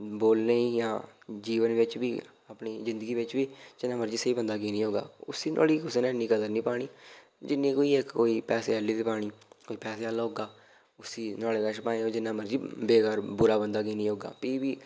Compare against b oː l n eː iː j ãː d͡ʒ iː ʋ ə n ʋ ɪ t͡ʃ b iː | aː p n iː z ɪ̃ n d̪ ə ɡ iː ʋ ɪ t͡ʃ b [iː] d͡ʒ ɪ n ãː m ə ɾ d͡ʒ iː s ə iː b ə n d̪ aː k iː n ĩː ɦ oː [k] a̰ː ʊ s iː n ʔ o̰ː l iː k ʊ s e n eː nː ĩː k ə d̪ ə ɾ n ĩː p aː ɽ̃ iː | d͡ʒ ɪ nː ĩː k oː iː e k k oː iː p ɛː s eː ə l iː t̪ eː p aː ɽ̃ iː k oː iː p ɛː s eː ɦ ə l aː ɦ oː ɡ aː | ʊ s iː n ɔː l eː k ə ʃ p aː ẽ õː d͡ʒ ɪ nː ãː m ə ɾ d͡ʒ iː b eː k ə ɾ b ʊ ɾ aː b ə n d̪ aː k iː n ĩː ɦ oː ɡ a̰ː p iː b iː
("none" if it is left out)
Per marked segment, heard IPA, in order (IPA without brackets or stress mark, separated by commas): iː, ɡ